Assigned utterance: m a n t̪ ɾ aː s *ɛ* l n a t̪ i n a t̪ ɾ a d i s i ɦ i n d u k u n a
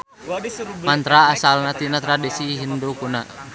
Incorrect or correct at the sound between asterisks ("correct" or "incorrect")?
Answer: incorrect